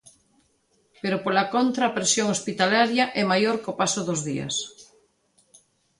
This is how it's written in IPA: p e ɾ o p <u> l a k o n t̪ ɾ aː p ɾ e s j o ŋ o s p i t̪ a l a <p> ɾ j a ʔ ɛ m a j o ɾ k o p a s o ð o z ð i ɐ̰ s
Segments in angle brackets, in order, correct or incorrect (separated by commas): incorrect, incorrect